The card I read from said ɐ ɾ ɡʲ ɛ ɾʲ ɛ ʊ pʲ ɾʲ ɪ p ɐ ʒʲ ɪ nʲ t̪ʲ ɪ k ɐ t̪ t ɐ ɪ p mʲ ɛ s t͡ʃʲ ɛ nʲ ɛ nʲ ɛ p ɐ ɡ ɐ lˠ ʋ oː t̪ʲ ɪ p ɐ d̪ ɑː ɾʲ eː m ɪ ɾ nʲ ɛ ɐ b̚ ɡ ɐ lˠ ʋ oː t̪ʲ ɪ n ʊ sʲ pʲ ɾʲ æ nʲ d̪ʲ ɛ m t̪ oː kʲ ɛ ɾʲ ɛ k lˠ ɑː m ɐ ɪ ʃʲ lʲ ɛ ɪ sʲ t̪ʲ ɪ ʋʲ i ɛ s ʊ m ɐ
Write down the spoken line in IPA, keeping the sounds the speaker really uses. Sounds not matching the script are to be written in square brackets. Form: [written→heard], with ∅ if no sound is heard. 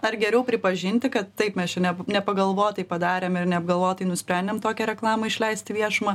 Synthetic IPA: ɐ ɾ ɡʲ ɛ ɾʲ ɛ ʊ pʲ ɾʲ ɪ p ɐ ʒʲ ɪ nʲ t̪ʲ ɪ k ɐ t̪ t ɐ ɪ p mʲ ɛ s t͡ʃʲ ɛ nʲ ɛ nʲ ɛ p ɐ ɡ ɐ lˠ ʋ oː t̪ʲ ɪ p ɐ d̪ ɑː ɾʲ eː m ɪ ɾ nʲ ɛ ɐ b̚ ɡ ɐ lˠ ʋ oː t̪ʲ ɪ n ʊ sʲ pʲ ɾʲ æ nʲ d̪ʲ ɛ m t̪ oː kʲ ɛ ɾʲ ɛ k lˠ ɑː m ɐ ɪ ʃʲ lʲ ɛ ɪ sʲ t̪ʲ ɪ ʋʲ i ɛ [s→ʃ] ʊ m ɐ